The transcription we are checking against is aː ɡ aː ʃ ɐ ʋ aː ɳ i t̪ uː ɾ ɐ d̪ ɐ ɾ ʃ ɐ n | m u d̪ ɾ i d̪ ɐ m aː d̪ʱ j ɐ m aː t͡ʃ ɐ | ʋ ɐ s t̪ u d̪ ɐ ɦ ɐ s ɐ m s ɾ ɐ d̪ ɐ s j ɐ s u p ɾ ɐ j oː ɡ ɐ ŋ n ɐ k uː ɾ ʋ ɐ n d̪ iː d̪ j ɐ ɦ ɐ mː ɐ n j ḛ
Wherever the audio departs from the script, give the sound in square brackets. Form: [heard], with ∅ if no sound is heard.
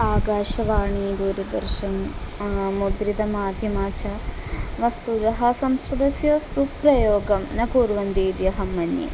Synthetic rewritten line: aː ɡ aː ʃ ɐ ʋ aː ɳ i [d̪] uː ɾ ɐ d̪ ɐ ɾ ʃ ɐ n | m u d̪ ɾ i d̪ ɐ m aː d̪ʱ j ɐ m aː t͡ʃ ɐ | ʋ ɐ s t̪ u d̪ ɐ ɦ ɐ s ɐ m s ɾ ɐ d̪ ɐ s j ɐ s u p ɾ ɐ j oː ɡ ɐ [m] n ɐ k uː ɾ ʋ ɐ n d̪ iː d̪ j ɐ ɦ ɐ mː ɐ n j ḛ